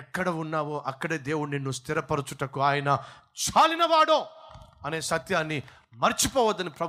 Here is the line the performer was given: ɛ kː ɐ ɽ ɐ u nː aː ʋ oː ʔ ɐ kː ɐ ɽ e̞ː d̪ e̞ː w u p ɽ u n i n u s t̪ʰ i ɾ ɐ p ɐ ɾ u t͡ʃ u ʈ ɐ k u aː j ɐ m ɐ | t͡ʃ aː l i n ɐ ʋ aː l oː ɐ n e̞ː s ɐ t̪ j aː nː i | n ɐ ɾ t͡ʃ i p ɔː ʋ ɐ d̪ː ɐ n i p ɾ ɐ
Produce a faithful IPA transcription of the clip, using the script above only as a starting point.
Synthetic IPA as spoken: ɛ kː ɐ ɽ ɐ u nː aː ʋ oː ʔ ɐ kː ɐ ɽ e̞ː d̪ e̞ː w u ɽ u n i nː u s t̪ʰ i ɾ ɐ p ɐ ɾ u t͡ʃ u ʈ ɐ k u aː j ɐ n ɐ | t͡ʃ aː l i n ɐ ʋ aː ɽ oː ɐ n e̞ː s ɐ t̪ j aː nː i | m ɐ ɾ t͡ʃ i p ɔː ʋ ɐ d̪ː ɐ n i p ɾ ɐ